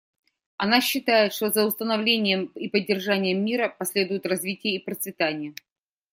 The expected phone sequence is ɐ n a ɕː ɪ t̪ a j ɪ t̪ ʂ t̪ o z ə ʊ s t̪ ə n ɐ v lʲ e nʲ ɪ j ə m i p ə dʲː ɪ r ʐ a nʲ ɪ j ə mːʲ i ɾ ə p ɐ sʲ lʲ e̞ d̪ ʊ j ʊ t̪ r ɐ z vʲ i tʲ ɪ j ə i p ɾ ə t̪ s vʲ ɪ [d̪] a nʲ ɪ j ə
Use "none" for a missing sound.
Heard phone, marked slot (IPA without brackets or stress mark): t̪